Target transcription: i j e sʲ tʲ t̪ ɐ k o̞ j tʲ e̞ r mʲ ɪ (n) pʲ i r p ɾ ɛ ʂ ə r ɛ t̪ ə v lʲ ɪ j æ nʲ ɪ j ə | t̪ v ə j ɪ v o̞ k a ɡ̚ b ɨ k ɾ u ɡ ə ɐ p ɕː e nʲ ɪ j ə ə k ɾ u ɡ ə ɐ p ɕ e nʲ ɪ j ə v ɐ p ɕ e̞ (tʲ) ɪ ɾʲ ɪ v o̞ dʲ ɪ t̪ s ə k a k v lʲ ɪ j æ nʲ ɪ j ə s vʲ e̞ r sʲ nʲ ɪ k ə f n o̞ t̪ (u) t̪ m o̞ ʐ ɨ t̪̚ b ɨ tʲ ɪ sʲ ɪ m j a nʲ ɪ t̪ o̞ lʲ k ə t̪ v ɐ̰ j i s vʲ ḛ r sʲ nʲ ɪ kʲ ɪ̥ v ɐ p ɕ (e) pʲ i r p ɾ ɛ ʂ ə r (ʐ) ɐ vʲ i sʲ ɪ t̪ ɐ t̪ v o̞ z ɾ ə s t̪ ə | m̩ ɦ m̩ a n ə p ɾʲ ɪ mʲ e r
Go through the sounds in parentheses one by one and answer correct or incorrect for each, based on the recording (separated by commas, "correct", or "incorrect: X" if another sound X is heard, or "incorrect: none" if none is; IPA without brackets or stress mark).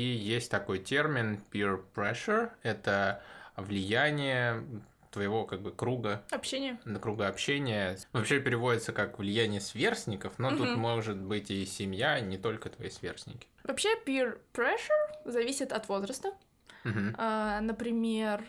correct, incorrect: pʲ, correct, correct, incorrect: z